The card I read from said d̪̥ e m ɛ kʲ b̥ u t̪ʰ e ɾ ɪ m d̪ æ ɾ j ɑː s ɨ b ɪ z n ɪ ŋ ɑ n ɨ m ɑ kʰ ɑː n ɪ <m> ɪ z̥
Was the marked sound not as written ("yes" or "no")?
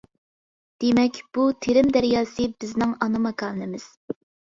no